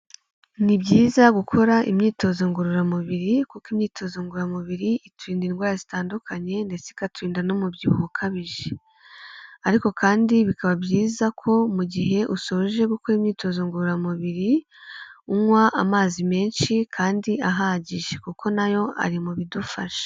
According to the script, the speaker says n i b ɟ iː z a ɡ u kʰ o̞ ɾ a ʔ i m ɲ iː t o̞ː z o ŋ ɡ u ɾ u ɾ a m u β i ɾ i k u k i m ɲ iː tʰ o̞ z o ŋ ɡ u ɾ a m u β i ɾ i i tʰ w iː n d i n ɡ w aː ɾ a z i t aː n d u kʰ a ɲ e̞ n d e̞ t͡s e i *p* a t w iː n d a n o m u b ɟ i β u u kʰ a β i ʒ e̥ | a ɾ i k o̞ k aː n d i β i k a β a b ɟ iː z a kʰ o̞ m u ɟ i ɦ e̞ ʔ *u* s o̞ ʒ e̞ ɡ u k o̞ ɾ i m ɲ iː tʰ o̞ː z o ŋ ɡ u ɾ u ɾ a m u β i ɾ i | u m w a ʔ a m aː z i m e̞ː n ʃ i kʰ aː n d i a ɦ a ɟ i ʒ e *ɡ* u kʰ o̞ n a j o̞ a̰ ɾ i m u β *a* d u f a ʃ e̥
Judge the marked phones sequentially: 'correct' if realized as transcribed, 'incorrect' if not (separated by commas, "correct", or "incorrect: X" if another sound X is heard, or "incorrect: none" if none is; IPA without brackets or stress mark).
incorrect: k, correct, incorrect: k, incorrect: i